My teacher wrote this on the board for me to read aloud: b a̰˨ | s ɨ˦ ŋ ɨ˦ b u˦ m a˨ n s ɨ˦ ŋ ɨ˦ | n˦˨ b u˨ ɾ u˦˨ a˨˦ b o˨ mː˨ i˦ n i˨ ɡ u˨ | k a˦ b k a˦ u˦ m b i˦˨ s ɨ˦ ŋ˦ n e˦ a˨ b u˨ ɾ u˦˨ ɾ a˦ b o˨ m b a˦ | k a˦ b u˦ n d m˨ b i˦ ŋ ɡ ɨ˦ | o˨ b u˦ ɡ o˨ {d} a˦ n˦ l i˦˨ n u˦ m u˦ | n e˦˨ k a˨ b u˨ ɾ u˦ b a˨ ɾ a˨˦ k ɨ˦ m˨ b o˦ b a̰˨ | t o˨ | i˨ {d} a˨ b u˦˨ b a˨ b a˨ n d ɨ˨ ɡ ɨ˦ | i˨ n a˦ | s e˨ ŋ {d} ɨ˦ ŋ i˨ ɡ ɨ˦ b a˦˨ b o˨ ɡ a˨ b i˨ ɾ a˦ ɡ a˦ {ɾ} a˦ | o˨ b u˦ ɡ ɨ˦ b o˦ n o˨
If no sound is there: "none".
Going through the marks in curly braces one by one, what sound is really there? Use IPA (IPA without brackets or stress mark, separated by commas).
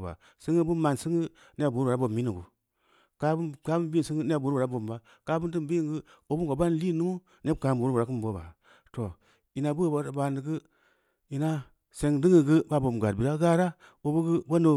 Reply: b, n, d, ɾ